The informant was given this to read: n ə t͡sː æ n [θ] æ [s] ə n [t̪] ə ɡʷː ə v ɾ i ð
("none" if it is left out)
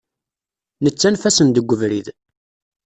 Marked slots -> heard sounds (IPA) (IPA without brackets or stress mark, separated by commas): f, s, d̪